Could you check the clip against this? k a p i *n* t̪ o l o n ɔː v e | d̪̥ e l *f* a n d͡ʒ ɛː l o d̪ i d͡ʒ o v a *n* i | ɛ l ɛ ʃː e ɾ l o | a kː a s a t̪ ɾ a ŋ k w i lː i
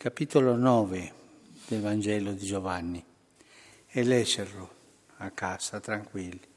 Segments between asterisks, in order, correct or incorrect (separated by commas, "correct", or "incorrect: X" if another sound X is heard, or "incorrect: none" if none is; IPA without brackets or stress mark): incorrect: none, incorrect: v, incorrect: nː